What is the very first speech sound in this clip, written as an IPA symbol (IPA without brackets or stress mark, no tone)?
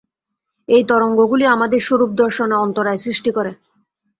e